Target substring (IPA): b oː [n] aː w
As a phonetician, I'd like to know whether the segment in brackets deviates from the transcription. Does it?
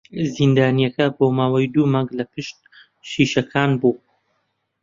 yes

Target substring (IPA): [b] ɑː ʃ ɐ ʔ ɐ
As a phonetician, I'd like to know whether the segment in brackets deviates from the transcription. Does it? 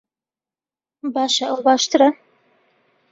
no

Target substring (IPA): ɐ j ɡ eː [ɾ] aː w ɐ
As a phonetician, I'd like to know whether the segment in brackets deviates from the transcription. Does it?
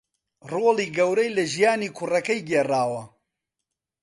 yes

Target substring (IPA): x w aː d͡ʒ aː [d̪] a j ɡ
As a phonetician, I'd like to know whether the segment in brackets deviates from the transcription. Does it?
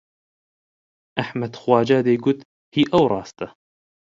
no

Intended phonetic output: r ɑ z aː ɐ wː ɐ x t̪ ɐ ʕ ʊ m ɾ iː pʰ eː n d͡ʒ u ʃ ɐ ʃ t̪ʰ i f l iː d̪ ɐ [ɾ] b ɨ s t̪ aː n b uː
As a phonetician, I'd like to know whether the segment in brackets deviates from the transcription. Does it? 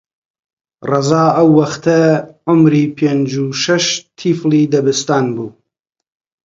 yes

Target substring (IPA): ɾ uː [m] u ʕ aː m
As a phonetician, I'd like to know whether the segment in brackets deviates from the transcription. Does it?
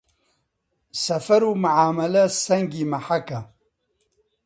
no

